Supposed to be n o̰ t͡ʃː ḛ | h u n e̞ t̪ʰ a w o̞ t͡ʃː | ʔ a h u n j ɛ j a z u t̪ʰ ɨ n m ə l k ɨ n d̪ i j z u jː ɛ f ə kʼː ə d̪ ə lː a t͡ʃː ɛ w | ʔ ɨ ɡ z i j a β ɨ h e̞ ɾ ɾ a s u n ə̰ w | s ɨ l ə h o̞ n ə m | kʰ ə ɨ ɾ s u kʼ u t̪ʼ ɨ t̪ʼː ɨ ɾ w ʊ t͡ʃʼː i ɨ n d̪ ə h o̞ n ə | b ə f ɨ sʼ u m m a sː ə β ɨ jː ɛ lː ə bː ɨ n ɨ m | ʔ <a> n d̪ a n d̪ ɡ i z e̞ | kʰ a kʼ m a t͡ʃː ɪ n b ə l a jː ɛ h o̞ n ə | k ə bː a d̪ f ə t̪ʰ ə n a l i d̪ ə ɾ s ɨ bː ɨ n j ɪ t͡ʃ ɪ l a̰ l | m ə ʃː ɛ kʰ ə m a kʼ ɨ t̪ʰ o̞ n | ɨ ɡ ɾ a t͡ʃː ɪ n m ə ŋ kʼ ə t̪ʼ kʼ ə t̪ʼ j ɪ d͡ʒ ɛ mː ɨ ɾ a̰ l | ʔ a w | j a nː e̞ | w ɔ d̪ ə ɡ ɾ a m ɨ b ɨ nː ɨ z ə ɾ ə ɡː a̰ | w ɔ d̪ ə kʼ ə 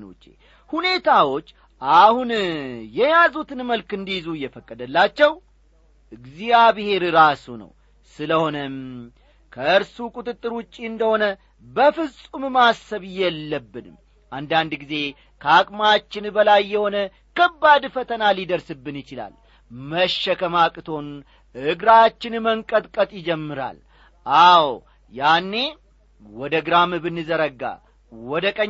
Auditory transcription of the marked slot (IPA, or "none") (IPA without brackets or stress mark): a